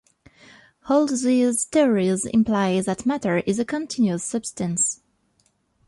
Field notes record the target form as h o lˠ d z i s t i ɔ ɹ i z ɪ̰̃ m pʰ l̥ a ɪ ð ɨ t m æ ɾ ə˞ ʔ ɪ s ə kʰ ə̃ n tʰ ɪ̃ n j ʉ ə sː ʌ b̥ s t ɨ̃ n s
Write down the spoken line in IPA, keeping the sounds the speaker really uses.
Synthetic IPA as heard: h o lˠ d z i z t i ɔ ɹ i z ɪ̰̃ m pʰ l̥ a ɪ ð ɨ t m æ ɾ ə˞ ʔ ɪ z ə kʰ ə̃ n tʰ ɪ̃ n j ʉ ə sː ʌ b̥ s t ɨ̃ n s